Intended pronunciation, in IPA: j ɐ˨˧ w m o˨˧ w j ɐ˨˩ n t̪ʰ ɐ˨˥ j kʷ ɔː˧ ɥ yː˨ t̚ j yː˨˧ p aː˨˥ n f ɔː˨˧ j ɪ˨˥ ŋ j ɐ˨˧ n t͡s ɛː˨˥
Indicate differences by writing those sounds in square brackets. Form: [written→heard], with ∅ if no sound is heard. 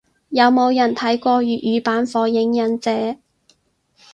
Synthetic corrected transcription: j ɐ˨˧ w m o˨˧ w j ɐ˨˩ n t̪ʰ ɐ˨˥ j kʷ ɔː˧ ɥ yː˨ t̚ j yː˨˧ p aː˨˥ n f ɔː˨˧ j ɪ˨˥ ŋ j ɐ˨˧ n t͡s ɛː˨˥